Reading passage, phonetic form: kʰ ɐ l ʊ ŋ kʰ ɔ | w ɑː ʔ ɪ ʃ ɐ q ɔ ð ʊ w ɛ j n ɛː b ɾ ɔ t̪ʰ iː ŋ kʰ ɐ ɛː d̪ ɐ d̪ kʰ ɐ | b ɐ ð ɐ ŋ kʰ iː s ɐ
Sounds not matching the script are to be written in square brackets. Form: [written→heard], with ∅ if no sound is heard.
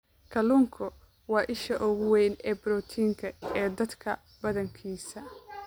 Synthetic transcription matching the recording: kʰ ɐ l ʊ ŋ kʰ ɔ | w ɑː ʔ ɪ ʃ ɐ [q→ʔ] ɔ [ð→ɣ] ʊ w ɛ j n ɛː b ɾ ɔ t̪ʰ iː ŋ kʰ ɐ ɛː d̪ ɐ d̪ kʰ ɐ | b ɐ ð ɐ ŋ kʰ iː s ɐ

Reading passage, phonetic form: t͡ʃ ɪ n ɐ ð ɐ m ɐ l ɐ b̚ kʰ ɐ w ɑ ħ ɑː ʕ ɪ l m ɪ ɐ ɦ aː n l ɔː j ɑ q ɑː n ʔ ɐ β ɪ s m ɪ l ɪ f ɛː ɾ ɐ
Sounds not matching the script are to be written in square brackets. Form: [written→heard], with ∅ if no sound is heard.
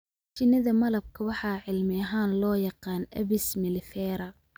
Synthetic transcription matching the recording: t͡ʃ ɪ n ɐ ð ɐ m ɐ l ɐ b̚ kʰ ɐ w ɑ ħ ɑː ʕ ɪ l m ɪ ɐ ɦ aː n l ɔː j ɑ q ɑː n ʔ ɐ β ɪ s m ɪ l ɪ f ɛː ɾ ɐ

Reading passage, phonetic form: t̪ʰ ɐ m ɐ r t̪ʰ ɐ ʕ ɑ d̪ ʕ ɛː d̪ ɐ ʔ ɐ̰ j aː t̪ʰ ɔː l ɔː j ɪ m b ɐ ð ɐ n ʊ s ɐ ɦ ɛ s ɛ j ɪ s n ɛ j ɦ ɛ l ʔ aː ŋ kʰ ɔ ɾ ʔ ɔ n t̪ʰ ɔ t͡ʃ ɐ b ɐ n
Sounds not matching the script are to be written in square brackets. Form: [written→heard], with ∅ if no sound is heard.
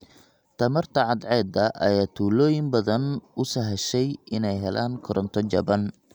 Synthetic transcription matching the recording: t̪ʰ ɐ m ɐ r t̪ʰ ɐ ʕ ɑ d̪ ʕ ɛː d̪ ɐ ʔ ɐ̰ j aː t̪ʰ [ɔː→uː] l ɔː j ɪ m b ɐ ð ɐ n ʊ s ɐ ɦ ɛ [s→ʃ] ɛ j ɪ [s→∅] n ɛ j ɦ ɛ l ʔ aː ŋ kʰ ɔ ɾ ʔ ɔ n t̪ʰ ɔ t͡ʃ ɐ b ɐ n

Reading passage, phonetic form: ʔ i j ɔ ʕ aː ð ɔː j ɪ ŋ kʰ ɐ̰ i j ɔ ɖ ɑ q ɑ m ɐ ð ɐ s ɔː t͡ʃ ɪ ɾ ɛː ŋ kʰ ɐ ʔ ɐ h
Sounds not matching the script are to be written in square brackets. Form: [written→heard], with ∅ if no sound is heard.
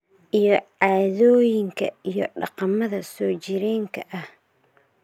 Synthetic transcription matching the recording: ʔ i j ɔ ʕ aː ð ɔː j ɪ ŋ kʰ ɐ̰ i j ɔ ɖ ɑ q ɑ m ɐ ð ɐ s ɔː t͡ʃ ɪ ɾ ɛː ŋ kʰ ɐ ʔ ɐ h

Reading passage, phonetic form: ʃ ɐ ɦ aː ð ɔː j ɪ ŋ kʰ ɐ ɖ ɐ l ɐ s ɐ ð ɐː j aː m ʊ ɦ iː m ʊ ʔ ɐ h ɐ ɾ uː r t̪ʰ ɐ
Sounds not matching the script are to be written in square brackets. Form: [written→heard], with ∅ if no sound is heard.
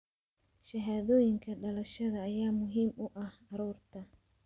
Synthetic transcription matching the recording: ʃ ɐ ɦ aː ð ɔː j ɪ ŋ kʰ ɐ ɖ ɐ l ɐ [s→ʃ] ɐ ð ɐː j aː m ʊ ɦ iː m ʊ ʔ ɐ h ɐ ɾ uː r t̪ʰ ɐ

